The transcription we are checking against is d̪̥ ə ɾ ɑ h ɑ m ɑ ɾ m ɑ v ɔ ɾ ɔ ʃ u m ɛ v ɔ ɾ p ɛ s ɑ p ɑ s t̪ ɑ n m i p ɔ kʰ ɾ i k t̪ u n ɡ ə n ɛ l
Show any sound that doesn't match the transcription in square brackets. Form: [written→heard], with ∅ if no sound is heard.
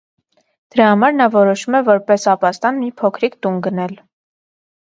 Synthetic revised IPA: d̪̥ ə ɾ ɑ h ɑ m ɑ ɾ [m→n] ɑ v ɔ ɾ ɔ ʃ u m ɛ v ɔ ɾ p ɛ s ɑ p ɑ s t̪ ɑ n m i [p→pʰ] ɔ kʰ ɾ i k t̪ u n ɡ ə n ɛ l